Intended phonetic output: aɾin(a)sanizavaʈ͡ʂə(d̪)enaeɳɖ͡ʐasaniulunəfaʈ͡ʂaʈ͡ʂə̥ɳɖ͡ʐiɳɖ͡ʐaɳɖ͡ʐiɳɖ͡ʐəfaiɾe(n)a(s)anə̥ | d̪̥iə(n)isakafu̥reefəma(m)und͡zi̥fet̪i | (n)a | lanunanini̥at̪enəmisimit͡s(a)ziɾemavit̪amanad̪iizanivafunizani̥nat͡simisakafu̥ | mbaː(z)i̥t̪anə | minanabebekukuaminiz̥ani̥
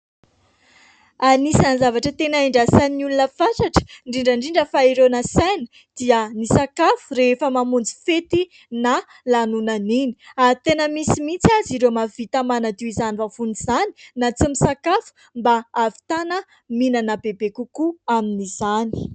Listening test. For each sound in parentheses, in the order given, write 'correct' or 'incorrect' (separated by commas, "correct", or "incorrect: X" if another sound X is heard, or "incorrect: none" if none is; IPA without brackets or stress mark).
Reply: incorrect: i, incorrect: t̪, correct, correct, correct, correct, correct, correct, incorrect: v